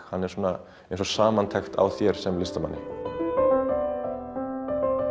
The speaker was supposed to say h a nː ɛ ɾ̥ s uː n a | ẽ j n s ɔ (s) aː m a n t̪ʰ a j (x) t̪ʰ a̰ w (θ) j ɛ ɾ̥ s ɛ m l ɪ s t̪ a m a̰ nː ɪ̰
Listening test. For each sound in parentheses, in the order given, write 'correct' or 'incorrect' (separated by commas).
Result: correct, correct, correct